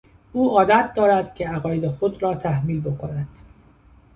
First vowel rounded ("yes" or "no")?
yes